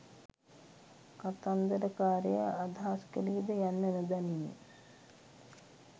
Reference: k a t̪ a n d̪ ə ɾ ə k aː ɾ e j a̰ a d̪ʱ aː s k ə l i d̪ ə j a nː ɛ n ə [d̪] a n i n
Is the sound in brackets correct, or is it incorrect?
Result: correct